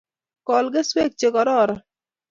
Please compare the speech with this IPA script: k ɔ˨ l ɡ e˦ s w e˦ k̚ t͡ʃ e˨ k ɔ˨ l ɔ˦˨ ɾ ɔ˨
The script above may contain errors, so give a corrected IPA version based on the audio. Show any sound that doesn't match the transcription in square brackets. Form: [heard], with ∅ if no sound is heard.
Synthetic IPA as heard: k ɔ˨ l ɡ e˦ s w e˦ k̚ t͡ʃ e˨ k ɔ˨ [ɾ] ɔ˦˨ ɾ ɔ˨